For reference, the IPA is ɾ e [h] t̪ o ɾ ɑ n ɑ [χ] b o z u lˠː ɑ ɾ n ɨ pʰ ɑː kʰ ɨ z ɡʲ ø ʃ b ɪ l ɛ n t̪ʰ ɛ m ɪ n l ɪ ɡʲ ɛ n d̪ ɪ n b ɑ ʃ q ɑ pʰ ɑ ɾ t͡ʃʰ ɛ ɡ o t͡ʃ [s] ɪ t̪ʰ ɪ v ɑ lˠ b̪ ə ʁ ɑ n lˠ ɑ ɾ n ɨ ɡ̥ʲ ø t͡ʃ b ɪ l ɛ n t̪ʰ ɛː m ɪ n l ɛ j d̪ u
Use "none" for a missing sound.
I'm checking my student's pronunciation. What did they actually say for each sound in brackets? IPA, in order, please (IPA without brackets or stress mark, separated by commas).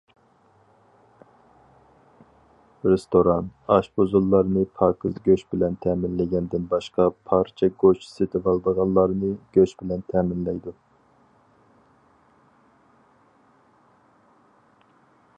s, ʃ, s